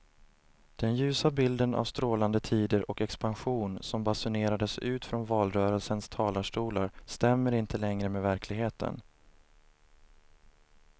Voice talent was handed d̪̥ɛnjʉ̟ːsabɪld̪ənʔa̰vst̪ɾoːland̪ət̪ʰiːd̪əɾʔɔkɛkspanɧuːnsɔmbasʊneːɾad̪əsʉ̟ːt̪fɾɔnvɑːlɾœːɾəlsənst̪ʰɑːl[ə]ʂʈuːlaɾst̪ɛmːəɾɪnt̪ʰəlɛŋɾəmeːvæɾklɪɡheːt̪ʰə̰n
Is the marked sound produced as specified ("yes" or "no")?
no